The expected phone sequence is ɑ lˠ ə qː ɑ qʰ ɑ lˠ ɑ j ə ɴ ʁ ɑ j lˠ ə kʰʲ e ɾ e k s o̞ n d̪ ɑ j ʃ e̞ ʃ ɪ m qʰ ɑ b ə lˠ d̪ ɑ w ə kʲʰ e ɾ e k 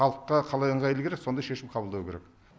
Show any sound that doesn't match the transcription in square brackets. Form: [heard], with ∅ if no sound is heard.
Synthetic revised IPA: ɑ lˠ ə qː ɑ qʰ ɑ lˠ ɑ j ə ɴ ʁ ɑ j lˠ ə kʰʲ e ɾ e k s o̞ n d̪ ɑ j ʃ e̞ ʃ ɪ m qʰ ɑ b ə lˠ d̪ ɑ w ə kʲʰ e ɾ e k